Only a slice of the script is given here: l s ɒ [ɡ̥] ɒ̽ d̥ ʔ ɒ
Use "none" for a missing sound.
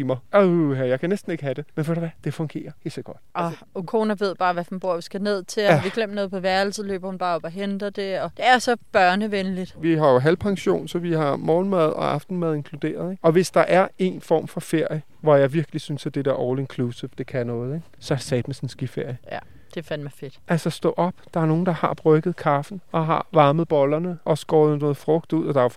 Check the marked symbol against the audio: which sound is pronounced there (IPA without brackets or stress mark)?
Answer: ɡ̥